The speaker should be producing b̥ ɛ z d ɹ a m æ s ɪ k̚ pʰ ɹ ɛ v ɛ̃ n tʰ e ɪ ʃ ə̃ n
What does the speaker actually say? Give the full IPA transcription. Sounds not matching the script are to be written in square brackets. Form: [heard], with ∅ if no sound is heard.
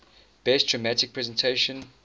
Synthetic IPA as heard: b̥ ɛ [s] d ɹ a m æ [t] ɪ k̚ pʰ ɹ ɛ [z] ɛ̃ n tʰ e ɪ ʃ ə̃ n

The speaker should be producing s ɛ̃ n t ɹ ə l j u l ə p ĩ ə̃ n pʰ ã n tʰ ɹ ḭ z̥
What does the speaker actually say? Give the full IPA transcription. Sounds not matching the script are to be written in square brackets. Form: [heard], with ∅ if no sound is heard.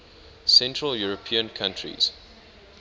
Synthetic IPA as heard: s ɛ̃ n t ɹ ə l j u [ɹ] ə [pʰ] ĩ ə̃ n [kʰ] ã n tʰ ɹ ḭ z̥

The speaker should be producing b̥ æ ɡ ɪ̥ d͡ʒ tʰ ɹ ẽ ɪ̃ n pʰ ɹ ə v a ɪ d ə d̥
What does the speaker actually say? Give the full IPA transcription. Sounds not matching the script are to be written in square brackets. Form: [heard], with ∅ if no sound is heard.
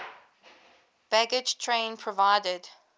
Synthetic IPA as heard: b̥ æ ɡ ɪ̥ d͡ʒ tʰ ɹ ẽ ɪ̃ n pʰ ɹ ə v a ɪ d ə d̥

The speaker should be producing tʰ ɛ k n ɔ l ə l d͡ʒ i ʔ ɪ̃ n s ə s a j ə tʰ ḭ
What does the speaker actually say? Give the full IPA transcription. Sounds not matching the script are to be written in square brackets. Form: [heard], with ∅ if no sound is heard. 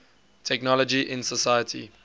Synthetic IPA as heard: tʰ ɛ k n ɔ l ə [∅] d͡ʒ i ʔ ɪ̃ n s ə s a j ə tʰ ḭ

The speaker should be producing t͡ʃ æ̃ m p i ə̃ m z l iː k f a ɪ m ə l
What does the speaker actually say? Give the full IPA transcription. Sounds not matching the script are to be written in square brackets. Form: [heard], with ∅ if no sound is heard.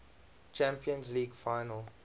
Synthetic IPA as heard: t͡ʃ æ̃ m p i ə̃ [n] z l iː [ɡ] f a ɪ [n] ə l

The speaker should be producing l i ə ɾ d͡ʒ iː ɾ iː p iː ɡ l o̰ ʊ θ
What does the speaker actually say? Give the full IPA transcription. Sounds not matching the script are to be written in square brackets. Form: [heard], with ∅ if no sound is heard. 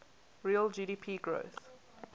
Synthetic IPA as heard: [ɹ] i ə [l] d͡ʒ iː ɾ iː [pʰ] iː ɡ [ɹ] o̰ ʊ θ

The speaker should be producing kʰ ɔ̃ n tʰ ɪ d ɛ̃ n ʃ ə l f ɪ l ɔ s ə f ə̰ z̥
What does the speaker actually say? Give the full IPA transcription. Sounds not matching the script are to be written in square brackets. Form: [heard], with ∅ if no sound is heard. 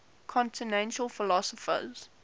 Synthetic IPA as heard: kʰ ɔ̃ n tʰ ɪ [n] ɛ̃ n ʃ ə l f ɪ l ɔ s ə f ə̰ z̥

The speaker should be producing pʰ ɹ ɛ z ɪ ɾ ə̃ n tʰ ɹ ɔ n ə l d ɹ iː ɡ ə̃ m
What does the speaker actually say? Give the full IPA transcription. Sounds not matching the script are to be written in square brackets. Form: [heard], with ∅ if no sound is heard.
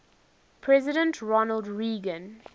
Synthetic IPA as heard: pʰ ɹ ɛ z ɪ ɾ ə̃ n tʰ ɹ ɔ n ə l d ɹ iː ɡ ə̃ [n]

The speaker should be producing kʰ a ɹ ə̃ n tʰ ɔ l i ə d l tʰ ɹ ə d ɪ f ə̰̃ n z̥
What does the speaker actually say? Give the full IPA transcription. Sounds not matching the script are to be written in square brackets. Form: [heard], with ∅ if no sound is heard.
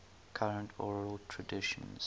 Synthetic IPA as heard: kʰ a ɹ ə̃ n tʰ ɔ [ɹ] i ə [∅] l tʰ ɹ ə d ɪ [ʃ] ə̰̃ n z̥

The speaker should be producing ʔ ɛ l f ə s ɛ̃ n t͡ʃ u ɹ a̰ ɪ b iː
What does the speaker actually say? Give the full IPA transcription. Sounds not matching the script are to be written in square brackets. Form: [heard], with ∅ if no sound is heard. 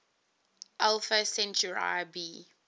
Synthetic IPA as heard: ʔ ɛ l f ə s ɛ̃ n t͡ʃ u ɹ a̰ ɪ b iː

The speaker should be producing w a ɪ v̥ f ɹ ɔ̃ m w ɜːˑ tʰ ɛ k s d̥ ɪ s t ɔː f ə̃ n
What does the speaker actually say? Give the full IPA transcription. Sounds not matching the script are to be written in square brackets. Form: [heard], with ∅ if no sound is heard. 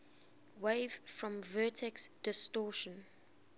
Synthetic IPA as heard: w [e] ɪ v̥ f ɹ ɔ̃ m [v] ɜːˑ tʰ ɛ k s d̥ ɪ s t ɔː [ʃ] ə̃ n

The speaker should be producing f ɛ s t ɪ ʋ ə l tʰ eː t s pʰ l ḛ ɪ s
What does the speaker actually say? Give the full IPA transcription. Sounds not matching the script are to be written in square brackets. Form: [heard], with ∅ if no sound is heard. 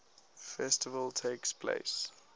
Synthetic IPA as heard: f ɛ s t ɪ [v] ə l tʰ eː [k] s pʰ l ḛ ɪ s

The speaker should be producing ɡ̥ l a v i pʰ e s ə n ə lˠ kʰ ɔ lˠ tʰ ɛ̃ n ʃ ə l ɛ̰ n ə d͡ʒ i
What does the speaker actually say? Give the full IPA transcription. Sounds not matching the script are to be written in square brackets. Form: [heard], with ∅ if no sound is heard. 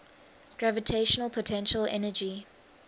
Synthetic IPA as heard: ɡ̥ [ɹ] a v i [tʰ] e [ʃ] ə n ə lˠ [pʰ] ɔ [∅] tʰ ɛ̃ n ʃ ə l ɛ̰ n ə d͡ʒ i

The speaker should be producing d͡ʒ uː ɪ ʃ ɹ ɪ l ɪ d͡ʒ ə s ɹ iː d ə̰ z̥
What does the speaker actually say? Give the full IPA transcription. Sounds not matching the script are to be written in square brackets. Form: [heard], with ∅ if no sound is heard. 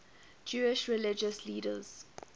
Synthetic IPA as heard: d͡ʒ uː ɪ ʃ ɹ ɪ l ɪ d͡ʒ ə s [l] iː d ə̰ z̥

